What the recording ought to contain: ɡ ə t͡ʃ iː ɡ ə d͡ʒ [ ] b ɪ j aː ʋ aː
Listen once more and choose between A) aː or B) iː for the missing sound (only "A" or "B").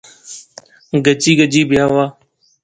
B